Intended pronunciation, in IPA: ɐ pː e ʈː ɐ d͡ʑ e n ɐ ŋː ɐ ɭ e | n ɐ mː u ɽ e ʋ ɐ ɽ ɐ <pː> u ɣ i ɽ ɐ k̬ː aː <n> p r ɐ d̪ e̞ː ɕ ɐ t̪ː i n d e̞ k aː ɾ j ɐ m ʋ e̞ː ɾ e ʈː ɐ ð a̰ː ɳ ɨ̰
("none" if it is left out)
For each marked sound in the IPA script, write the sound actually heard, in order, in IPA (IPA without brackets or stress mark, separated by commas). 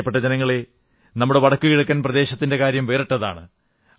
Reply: kː, n